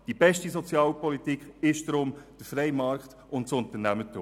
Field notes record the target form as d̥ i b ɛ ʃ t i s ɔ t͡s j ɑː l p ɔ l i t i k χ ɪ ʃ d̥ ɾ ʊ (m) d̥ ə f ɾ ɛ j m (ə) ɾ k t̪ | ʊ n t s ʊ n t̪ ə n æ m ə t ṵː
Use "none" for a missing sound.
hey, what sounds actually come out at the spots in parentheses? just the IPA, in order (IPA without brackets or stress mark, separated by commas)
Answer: m, ɑ